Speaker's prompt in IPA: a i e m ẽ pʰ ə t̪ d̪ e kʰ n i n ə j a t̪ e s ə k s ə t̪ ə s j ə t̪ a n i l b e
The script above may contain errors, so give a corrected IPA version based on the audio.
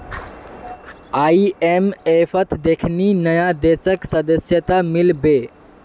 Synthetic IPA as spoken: a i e m e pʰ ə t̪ d̪ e kʰ n i n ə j a d̪ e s ə k s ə d̪ ə s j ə t̪ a m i l b e

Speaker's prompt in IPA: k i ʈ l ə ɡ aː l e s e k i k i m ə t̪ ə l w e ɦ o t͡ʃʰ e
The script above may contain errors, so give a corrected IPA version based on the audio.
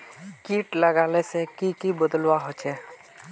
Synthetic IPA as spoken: k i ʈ l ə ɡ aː l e s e k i k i b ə d̪ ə l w a ɦ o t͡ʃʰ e

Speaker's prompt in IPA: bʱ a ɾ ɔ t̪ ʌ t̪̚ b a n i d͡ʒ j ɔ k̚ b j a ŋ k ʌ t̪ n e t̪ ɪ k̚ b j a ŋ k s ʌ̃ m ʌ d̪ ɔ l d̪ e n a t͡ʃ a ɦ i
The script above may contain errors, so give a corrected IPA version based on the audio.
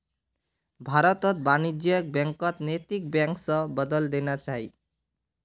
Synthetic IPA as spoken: bʱ a ɾ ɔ t̪ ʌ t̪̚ b a n i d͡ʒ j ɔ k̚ b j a ŋ k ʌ t̪ n e t̪ i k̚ b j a ŋ k s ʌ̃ b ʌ d̪ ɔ l d̪ e n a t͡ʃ a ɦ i

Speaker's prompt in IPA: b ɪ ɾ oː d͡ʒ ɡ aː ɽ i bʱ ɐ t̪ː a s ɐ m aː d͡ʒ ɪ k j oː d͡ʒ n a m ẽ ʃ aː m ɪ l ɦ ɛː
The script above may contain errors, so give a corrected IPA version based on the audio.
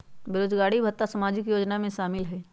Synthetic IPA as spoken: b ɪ ɾ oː d͡ʒ ɡ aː ɽ i bʱ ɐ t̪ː a s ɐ m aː d͡ʒ ɪ k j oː d͡ʒ n a m ẽ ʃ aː m ɪ l ɦ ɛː

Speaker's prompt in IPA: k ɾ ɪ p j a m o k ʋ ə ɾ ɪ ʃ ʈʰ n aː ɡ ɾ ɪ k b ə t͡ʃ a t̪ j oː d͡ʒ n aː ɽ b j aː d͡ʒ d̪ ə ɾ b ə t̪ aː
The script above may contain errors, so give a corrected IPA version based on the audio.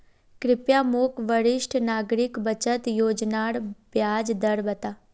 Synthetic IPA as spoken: k ɾ ɪ p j a m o k ʋ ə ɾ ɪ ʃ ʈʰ n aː ɡ ɾ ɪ k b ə t͡ʃ ə t̪ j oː d͡ʒ n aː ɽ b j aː d͡ʒ d̪ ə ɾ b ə t̪ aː

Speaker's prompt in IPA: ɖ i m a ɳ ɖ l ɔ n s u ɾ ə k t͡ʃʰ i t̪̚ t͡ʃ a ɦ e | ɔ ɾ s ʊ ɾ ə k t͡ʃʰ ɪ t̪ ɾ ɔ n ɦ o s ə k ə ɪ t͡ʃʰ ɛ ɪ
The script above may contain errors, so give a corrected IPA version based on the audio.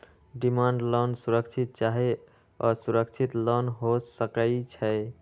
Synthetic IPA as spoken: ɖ i m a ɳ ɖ l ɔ n s u ɾ ə k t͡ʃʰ i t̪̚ t͡ʃ a ɦ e | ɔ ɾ s u ɾ ə k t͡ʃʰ i t̪ l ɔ n ɦ o s ə k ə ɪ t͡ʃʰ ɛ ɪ

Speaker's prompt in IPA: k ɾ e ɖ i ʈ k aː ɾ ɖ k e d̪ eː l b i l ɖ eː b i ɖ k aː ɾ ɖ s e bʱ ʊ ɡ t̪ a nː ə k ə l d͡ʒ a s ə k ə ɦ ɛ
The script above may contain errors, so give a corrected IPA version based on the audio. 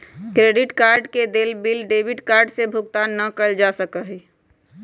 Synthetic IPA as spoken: k ɾ e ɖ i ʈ k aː ɾ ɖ k e d̪ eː l b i l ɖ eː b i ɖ k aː ɾ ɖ s e bʱ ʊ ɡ t̪ a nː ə k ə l d͡ʒ a s ə k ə ɦ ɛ

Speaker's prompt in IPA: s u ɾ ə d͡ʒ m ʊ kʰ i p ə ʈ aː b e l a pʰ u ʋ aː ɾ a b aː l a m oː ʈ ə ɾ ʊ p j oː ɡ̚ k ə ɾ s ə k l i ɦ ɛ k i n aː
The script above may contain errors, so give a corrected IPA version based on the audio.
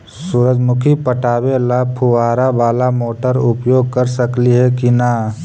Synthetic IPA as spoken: s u ɾ ə d͡ʒ m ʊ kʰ i p ə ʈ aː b e l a pʰ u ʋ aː ɾ a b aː l a m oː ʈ ə ɾ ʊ p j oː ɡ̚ k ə ɾ s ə k l i ɦ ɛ k i n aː

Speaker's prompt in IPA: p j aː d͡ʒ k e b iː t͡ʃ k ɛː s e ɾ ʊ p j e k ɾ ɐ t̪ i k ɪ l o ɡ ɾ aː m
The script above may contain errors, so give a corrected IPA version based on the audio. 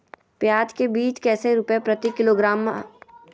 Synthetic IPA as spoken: p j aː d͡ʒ k e b iː t͡ʃ k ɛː s e ɾ ʊ p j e p ɾ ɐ t̪ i k ɪ l o ɡ ɾ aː m

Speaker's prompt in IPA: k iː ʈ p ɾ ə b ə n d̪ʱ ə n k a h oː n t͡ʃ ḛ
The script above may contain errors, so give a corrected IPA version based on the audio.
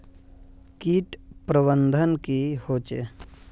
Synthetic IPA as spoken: k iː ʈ p ɾ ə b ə n d̪ʱ ə n k i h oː t͡ʃ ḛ

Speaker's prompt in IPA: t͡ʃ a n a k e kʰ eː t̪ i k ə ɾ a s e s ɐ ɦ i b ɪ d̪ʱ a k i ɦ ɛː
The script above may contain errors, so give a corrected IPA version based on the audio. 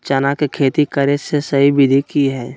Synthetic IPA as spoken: t͡ʃ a n a k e kʰ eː t̪ i k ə ɾ e s e s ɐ ɦ i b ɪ d̪ʱ i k i ɦ ɛː

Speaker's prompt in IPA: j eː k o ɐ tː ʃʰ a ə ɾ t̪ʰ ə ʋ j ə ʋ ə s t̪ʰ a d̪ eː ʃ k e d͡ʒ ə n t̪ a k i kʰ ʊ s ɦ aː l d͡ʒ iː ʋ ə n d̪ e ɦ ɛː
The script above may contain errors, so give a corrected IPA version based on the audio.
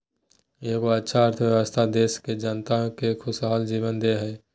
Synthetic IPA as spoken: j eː k o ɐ tː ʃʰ a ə ɾ t̪ʰ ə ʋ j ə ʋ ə s t̪ʰ a d̪ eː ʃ k e d͡ʒ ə n t̪ a k e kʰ ʊ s ɦ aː l d͡ʒ iː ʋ ə n d̪ e ɦ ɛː

